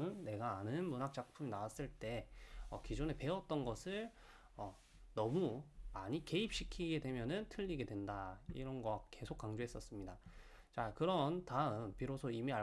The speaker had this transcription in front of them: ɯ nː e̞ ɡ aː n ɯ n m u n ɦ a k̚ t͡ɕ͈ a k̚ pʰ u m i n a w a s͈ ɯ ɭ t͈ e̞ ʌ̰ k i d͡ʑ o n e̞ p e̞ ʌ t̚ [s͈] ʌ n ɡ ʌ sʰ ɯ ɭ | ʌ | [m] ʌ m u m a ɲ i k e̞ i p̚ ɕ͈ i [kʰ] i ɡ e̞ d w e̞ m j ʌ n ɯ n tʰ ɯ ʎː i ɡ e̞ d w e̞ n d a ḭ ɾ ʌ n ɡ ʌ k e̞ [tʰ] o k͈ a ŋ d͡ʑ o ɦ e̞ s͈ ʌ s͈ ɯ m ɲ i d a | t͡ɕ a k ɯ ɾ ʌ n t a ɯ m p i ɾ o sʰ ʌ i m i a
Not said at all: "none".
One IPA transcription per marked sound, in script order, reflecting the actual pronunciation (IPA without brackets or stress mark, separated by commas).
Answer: t͈, n, kʰ, sʰ